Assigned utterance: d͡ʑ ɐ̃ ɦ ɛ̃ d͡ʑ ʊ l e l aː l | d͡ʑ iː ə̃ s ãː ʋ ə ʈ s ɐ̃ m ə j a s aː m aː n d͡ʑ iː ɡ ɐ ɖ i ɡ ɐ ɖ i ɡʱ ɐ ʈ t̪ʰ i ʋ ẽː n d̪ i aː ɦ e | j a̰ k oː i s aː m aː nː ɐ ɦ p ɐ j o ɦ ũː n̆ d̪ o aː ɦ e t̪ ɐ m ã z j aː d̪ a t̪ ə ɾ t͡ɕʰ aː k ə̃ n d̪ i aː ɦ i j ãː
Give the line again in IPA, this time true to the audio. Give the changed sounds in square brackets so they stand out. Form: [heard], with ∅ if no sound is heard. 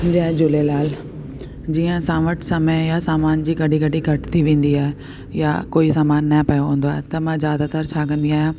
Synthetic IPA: d͡ʑ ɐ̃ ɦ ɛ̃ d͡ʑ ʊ l e l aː l | d͡ʑ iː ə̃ s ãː ʋ ə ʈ s [ɐ] m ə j a s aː m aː n d͡ʑ iː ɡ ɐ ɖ i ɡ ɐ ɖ i ɡʱ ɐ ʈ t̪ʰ i ʋ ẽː n d̪ i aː ɦ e | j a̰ k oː i s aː m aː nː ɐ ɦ p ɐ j o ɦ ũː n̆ d̪ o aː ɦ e t̪ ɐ m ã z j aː d̪ a t̪ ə ɾ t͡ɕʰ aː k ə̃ n d̪ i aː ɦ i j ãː